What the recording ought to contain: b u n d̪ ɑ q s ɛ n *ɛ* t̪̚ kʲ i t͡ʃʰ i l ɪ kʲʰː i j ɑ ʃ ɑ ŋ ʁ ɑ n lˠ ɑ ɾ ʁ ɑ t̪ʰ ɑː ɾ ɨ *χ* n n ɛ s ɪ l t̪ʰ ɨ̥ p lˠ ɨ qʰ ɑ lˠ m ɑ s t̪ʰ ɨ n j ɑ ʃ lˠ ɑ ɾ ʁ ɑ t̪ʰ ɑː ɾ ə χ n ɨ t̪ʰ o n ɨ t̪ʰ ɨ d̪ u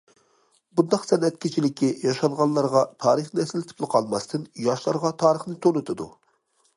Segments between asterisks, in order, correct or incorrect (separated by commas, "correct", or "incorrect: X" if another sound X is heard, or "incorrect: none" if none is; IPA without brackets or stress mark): correct, correct